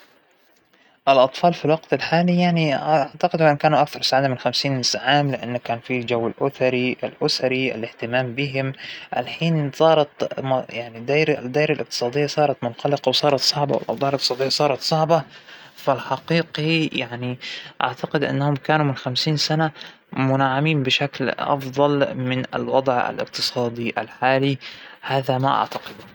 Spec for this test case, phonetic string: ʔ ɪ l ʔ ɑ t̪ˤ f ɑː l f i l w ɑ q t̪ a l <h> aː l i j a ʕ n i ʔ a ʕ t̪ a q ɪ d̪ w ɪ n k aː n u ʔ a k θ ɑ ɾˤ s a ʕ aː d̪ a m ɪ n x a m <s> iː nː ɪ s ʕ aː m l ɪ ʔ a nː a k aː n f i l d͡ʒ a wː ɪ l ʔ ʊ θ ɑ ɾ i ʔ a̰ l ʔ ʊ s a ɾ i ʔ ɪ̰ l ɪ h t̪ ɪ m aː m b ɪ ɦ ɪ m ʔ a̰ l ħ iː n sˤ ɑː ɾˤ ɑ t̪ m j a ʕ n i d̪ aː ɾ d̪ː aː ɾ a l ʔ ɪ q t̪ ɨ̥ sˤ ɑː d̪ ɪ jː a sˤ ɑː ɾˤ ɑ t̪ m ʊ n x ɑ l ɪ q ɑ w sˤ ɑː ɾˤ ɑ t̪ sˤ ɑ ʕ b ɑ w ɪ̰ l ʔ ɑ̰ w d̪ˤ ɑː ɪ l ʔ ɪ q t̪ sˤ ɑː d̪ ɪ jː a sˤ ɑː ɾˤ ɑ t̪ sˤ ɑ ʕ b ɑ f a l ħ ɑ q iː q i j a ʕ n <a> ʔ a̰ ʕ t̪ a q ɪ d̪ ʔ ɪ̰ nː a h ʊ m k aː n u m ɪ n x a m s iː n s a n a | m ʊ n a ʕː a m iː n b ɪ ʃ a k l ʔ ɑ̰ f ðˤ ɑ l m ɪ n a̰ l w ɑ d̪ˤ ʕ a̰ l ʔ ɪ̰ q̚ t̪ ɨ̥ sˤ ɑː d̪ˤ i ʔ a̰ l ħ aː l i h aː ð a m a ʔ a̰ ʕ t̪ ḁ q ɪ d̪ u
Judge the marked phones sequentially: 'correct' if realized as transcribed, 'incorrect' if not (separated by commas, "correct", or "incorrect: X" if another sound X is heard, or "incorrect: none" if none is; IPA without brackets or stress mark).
incorrect: ħ, correct, incorrect: i